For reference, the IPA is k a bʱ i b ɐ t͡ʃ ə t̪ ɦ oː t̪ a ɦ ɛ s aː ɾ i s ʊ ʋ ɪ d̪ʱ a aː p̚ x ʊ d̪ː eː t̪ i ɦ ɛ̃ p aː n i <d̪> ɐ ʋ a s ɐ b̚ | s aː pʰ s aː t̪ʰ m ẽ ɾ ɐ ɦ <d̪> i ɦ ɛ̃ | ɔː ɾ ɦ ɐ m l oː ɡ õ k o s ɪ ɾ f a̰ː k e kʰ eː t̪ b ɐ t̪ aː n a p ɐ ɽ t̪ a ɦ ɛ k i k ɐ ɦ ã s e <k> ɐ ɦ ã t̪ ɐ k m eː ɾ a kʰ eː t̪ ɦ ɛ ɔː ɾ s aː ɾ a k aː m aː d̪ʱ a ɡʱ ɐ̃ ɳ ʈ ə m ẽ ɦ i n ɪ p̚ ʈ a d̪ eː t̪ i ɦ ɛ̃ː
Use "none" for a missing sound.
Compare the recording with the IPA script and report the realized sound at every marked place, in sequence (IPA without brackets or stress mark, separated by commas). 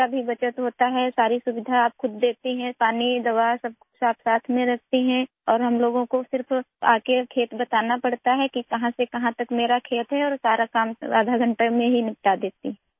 d̪, t̪, k